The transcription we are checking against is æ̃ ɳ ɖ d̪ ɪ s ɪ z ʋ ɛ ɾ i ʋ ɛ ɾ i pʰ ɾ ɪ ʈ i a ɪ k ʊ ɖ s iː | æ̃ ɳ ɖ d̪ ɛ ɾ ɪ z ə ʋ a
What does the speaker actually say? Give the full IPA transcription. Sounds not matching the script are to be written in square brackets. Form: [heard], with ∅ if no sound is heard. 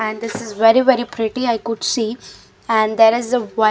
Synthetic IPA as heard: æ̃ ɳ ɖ d̪ ɪ s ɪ z ʋ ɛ ɾ i ʋ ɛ ɾ i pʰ ɾ ɪ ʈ i a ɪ k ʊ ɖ s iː | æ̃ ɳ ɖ d̪ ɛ ɾ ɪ z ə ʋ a

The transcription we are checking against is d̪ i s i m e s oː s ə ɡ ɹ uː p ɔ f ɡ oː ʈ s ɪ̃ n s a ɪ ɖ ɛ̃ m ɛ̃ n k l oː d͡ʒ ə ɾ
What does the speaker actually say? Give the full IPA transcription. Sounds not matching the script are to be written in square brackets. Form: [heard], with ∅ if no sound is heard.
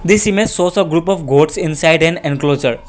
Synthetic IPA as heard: d̪ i s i m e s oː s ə ɡ [ɾ] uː p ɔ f ɡ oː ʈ s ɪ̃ n s a ɪ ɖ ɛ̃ [n] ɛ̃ n k l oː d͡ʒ ə ɾ

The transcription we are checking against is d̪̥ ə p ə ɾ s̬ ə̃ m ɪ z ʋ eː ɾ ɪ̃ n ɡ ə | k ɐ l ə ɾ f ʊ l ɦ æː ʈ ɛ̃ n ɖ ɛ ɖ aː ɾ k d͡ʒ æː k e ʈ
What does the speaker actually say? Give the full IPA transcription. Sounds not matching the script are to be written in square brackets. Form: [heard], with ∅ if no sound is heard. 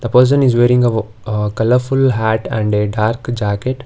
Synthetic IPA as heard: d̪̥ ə p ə ɾ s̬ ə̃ [n] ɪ z ʋ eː ɾ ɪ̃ [ŋ] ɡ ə | k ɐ l ə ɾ f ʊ l ɦ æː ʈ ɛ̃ [ɳ] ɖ [e] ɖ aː ɾ k d͡ʒ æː k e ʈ

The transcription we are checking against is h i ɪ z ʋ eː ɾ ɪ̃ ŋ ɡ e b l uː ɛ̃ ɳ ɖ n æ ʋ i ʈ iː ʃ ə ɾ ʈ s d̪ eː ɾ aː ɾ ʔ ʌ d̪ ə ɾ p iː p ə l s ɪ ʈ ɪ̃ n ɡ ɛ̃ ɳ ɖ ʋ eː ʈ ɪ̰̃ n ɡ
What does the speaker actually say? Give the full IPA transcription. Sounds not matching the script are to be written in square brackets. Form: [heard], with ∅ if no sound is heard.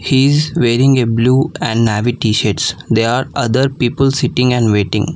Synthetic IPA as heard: h i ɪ z ʋ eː ɾ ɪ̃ ŋ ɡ e b l uː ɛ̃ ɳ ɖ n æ ʋ i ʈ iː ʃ ə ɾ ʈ s d̪ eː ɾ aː ɾ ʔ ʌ d̪ ə ɾ p iː p ə l s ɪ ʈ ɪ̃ [ŋ] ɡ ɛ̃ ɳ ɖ ʋ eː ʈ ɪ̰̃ [ŋ] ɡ

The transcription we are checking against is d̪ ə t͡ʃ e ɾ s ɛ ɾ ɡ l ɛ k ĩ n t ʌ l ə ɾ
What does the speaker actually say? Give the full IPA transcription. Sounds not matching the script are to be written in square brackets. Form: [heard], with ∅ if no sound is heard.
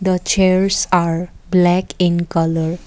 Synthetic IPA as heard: d̪ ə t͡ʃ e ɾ s [a] ɾ [b] l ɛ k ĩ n [k] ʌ l ə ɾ

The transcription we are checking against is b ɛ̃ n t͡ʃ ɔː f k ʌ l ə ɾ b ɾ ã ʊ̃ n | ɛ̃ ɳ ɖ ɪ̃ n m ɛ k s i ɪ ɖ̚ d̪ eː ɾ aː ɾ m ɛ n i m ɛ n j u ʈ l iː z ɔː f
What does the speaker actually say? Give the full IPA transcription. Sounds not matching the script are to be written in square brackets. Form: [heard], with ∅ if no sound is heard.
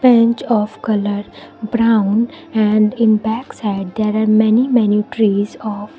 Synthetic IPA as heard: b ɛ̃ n t͡ʃ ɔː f k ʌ l ə ɾ b ɾ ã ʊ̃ n | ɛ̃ ɳ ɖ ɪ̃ n [b] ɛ k s [a] ɪ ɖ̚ d̪ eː ɾ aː ɾ m ɛ n i m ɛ n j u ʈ [ɾ] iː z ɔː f

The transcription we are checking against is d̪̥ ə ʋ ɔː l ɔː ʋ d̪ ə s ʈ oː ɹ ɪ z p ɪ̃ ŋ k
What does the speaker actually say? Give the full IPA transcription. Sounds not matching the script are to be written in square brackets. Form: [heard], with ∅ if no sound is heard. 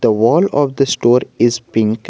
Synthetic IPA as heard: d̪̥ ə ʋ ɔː l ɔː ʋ d̪ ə s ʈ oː [ɾ] ɪ z p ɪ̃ ŋ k

